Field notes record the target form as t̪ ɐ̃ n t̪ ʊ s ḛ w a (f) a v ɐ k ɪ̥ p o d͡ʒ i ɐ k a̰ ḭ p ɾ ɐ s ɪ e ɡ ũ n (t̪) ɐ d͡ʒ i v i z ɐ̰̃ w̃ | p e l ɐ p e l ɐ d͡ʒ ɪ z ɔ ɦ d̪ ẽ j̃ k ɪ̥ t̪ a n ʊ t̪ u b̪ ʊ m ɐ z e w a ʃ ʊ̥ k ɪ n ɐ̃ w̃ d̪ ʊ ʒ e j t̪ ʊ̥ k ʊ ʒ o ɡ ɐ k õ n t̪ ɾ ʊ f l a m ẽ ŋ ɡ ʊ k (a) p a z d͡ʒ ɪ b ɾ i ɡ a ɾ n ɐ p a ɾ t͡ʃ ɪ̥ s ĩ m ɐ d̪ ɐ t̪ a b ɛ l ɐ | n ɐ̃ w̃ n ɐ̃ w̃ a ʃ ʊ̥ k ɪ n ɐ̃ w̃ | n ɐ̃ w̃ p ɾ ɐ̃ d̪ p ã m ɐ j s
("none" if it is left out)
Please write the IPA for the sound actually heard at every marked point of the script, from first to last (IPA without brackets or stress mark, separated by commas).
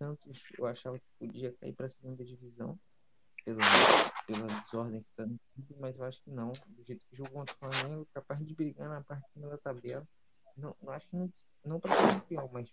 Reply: ʃ, d̪, a